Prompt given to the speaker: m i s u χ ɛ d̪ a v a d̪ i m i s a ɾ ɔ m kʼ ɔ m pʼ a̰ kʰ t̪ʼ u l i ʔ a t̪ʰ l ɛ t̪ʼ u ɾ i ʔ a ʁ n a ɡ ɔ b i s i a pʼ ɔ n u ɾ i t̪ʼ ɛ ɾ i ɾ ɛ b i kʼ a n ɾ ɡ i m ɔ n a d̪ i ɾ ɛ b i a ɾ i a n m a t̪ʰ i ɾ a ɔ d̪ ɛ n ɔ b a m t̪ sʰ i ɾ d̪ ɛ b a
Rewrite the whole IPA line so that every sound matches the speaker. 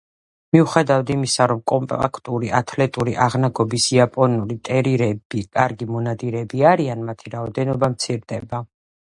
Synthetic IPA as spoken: m i u χ ɛ d̪ a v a d̪ i m i s a ɾ ɔ m kʼ ɔ m pʼ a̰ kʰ t̪ʼ u ɾ i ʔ a t̪ʰ l ɛ t̪ʼ u ɾ i ʔ a ʁ n a ɡ ɔ b i s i a pʼ ɔ n u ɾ i t̪ʼ ɛ ɾ i ɾ ɛ b i kʼ a ɾ ɡ i m ɔ n a d̪ i ɾ ɛ b i a ɾ i a n m a t̪ʰ i ɾ a ɔ d̪ ɛ n ɔ b a m t̪ sʰ i ɾ d̪ ɛ b a